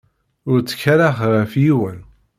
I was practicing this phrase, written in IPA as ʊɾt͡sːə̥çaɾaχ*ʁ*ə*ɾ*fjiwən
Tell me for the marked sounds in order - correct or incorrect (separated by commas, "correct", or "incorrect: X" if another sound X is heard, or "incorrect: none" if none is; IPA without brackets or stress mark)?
correct, incorrect: none